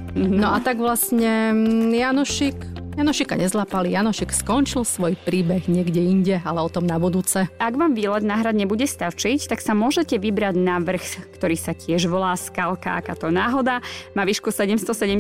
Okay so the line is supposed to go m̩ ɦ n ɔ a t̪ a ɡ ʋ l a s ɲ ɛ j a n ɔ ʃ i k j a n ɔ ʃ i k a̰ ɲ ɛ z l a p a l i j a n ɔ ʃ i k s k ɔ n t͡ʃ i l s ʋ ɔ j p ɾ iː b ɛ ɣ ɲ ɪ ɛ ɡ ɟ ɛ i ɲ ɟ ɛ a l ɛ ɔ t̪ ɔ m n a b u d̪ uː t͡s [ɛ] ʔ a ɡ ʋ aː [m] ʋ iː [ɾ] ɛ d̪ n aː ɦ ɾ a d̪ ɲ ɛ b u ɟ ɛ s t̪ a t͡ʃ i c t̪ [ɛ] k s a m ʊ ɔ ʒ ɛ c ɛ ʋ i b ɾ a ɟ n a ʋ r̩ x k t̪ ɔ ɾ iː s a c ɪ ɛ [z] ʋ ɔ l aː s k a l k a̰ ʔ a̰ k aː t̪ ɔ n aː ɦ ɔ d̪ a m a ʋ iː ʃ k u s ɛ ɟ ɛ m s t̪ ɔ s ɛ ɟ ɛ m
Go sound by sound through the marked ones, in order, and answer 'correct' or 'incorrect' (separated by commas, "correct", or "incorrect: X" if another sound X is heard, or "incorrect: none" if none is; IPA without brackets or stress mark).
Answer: correct, correct, incorrect: l, incorrect: a, incorrect: ʒ